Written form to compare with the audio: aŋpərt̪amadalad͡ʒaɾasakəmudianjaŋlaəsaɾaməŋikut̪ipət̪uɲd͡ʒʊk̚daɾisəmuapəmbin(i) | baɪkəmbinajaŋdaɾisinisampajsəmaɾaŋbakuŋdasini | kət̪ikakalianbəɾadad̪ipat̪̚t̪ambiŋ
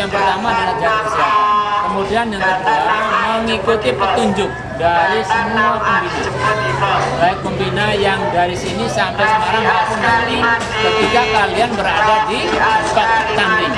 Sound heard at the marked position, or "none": a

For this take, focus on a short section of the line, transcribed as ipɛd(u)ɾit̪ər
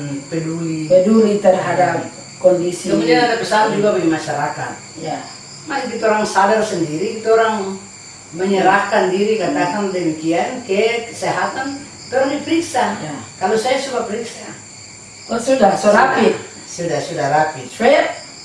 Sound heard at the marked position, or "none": u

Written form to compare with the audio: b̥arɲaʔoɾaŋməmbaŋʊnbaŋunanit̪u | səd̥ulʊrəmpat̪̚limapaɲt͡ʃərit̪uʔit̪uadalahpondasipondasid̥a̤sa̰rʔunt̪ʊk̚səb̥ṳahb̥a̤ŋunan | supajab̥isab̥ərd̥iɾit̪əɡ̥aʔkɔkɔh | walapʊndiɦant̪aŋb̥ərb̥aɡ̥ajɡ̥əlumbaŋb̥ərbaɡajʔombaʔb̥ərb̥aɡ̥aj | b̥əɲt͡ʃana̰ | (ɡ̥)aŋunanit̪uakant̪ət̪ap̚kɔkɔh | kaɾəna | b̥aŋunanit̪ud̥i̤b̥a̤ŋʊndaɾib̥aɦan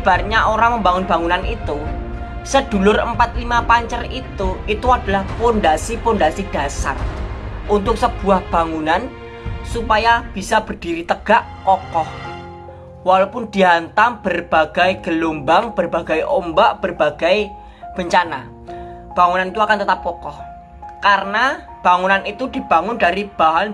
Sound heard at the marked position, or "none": b̥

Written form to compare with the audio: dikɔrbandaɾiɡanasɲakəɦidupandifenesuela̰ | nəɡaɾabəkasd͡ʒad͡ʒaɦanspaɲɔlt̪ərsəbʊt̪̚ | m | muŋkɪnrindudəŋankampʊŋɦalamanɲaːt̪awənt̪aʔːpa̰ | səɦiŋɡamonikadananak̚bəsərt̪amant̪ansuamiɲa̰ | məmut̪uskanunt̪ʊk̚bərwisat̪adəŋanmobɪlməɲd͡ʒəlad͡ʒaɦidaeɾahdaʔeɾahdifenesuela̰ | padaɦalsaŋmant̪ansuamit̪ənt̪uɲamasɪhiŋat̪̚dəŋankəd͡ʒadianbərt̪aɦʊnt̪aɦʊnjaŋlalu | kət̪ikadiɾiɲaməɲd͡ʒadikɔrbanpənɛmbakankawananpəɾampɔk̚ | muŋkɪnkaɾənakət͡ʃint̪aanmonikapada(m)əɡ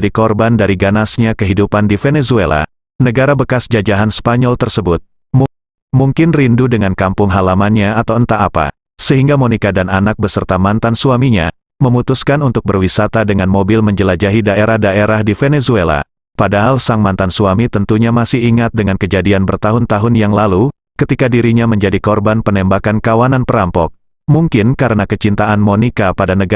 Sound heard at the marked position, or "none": n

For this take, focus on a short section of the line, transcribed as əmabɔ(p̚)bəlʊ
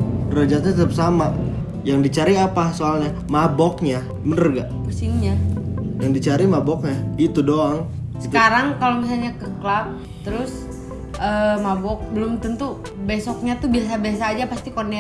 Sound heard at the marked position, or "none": k̚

